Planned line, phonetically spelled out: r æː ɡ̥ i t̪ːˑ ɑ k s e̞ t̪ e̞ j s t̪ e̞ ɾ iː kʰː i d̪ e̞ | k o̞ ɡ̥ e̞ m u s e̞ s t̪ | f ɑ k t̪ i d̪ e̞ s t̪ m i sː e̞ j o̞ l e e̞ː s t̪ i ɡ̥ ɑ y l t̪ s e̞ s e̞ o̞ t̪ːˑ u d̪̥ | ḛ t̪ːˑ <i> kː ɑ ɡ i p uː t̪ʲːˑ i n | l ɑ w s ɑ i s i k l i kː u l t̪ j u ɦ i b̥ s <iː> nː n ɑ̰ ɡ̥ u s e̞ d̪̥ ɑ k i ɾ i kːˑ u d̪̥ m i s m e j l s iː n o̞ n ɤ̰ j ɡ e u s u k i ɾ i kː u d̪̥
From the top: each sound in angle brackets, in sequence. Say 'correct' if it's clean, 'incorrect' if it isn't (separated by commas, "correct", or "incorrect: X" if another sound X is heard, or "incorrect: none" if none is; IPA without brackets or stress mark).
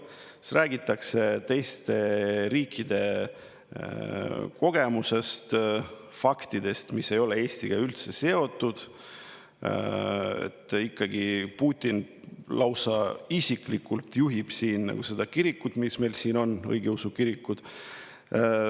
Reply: correct, correct